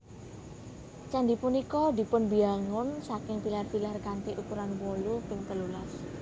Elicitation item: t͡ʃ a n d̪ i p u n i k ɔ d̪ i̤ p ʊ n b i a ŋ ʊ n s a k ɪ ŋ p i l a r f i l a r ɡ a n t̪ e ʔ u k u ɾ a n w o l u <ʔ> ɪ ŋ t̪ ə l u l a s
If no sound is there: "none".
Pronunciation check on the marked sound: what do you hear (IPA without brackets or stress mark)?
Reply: p